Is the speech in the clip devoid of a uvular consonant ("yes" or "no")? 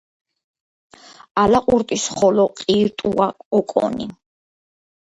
no